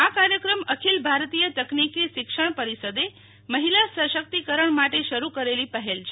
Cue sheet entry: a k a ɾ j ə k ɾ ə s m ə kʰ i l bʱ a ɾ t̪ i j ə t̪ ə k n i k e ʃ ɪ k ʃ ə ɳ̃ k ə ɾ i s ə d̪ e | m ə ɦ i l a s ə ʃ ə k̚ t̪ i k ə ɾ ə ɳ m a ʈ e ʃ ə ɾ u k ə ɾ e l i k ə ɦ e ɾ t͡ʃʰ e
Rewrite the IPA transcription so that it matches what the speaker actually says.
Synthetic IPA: a k a ɾ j ə k ɾ ə m ə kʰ i l bʱ a ɾ t̪ i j ə t̪ ə k n i k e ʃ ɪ k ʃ ə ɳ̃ p ə ɾ i s ə d̪ e | m ə ɦ i l a s ə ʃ ə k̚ t̪ i k ə ɾ ə ɳ m a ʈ e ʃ ə ɾ u k ə ɾ e l i p ə ɦ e l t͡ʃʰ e